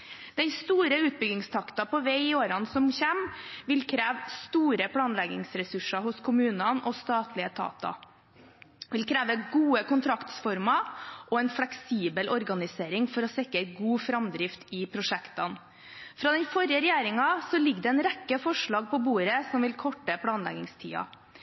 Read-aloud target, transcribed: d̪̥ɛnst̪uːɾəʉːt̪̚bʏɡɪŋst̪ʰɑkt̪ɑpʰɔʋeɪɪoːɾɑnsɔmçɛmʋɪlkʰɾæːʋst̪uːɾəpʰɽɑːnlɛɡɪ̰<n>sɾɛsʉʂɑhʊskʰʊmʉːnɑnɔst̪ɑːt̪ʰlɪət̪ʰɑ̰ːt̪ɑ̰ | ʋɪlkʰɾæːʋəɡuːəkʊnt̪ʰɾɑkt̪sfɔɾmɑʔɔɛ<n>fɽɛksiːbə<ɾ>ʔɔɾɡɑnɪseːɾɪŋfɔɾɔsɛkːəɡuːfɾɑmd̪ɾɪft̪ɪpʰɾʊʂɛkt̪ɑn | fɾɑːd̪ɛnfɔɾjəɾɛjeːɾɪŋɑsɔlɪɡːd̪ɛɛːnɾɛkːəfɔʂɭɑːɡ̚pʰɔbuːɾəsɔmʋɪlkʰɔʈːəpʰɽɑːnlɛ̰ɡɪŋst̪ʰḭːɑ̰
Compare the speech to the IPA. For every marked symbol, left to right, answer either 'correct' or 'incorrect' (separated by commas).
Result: incorrect, correct, incorrect